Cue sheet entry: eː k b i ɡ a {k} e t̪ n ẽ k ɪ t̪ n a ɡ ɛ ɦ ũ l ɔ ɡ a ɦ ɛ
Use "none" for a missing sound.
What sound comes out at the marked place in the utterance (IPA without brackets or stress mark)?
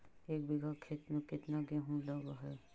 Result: kʰ